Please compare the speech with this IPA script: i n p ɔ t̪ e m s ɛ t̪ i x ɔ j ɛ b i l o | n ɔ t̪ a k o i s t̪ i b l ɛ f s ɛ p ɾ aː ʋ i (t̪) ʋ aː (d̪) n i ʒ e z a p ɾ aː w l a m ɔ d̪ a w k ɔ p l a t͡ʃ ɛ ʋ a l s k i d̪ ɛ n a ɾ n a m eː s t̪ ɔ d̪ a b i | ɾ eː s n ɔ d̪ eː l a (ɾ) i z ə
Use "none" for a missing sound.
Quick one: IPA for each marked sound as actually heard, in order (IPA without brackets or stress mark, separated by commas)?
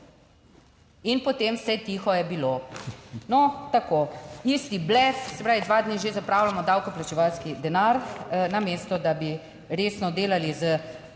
d̪, d̪, l